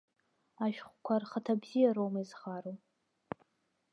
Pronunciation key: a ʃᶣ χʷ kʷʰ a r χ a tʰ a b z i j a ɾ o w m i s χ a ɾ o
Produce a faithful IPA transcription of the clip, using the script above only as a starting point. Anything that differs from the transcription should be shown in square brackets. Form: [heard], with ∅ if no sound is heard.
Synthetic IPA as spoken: a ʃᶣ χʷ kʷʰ a r χ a tʰ a b z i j a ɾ o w m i [z] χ a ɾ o